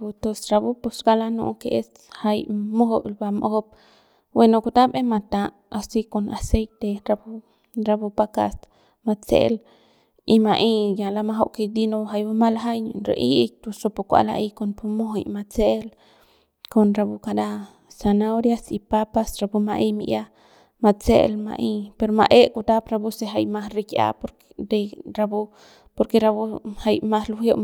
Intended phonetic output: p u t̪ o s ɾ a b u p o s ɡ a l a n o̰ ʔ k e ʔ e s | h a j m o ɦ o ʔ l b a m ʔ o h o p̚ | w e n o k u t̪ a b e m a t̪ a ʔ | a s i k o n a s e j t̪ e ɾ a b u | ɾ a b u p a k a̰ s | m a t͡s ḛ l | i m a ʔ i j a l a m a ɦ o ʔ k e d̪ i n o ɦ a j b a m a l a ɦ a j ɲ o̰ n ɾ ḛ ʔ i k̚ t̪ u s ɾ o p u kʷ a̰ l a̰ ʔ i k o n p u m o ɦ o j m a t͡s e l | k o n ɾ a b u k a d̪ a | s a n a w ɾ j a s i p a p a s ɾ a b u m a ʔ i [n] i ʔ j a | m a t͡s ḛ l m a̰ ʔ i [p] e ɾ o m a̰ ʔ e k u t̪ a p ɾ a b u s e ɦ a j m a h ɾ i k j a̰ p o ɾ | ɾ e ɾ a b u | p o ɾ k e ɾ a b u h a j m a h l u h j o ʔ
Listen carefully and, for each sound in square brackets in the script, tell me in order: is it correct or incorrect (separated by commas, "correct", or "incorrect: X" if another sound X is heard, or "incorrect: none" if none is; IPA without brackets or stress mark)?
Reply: incorrect: m, correct